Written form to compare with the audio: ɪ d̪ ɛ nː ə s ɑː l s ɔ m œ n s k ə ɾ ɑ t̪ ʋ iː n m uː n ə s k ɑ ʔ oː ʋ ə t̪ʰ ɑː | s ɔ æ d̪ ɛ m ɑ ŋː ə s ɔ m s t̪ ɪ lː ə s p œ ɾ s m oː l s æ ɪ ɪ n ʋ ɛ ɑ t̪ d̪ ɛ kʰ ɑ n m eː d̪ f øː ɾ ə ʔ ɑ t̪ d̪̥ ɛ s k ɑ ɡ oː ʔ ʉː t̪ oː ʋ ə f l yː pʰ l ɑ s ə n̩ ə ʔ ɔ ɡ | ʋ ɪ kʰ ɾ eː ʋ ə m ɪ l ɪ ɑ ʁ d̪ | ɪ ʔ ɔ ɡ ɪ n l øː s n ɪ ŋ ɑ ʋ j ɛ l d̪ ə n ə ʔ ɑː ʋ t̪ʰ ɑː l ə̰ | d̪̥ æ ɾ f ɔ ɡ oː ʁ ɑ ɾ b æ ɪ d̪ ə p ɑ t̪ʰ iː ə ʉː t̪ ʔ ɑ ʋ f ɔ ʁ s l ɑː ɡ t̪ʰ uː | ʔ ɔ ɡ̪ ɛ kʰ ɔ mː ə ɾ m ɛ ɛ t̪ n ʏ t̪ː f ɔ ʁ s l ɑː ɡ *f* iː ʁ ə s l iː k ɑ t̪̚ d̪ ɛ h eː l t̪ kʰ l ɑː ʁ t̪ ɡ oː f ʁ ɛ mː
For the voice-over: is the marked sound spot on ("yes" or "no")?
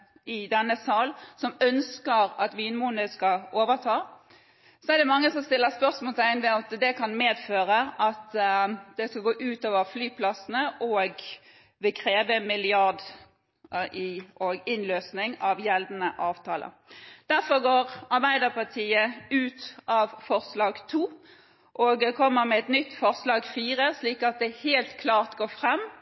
yes